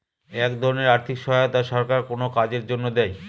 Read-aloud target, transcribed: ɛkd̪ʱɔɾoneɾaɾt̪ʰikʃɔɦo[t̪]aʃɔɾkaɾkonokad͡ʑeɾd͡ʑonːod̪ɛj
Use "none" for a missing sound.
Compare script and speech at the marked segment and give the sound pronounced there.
t̪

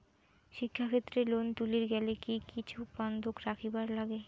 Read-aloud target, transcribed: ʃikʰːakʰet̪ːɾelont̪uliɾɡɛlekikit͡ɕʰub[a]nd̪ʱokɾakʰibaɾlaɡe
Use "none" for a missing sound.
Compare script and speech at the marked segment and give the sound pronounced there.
a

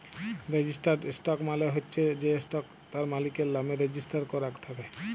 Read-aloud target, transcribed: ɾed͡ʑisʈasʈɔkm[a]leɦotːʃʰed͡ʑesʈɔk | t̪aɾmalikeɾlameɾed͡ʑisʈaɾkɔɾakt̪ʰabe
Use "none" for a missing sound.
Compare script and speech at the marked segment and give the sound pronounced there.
a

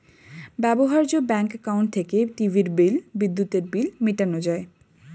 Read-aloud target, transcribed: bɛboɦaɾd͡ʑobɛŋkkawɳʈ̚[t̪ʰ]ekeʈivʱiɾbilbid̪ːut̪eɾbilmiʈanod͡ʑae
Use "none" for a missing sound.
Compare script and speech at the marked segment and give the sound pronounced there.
t̪ʰ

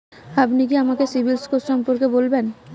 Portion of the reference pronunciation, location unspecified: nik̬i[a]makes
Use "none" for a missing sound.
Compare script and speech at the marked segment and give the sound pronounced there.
a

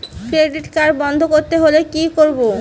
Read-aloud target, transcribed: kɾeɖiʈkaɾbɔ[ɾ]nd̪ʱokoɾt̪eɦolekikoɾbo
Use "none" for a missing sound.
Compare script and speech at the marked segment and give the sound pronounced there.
none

